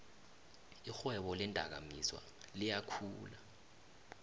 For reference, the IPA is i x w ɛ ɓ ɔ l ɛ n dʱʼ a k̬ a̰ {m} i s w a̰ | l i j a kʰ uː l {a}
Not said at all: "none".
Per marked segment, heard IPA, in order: m, a

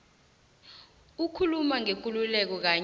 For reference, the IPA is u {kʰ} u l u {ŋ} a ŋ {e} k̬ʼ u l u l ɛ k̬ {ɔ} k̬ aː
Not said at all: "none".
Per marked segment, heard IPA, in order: kʰ, m, e, ɔ

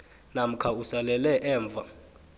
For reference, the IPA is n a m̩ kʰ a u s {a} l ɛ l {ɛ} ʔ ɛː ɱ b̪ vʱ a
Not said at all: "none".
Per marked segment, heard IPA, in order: a, ɛ

